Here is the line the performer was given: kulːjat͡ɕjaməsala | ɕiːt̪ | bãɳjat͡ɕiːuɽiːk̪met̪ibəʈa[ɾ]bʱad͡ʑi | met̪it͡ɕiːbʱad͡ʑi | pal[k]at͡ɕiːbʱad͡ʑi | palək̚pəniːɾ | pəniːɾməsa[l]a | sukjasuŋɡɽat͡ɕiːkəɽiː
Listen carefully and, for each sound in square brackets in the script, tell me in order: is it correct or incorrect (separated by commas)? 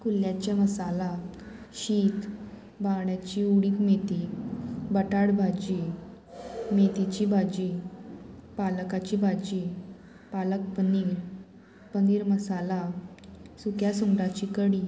incorrect, correct, correct